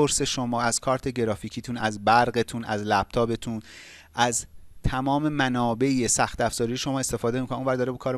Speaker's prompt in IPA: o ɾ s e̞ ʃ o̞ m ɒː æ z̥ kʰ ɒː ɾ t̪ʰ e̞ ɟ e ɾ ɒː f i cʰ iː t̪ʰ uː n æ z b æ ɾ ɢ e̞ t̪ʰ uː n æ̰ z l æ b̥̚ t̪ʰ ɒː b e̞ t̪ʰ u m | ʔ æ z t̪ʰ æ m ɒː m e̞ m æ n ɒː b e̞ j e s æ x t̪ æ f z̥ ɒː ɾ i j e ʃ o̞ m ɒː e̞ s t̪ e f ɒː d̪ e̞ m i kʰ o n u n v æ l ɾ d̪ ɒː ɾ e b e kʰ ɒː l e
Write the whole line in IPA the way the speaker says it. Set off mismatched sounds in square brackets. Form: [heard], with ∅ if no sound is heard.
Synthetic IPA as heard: o ɾ s e̞ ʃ o̞ m ɒː æ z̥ kʰ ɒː ɾ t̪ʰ e̞ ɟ e ɾ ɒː f i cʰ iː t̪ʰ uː n æ z b æ ɾ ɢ e̞ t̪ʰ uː n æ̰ z l æ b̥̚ t̪ʰ ɒː b e̞ t̪ʰ u [n] | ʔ æ z t̪ʰ æ m ɒː m e̞ m æ n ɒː b e̞ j e s æ x t̪ æ f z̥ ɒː ɾ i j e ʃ o̞ m ɒː e̞ s t̪ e f ɒː d̪ e̞ m i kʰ o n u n v æ [∅] ɾ d̪ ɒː ɾ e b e kʰ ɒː [ɾ] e